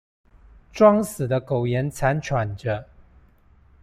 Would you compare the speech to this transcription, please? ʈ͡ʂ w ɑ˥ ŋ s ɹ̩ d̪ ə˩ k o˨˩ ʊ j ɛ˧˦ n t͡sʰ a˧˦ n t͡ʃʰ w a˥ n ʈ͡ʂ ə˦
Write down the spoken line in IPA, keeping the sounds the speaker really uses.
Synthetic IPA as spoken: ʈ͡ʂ w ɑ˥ ŋ s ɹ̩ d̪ ə˦ k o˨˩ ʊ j ɛ˧˦ n t͡sʰ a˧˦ n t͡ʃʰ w a˨˩ n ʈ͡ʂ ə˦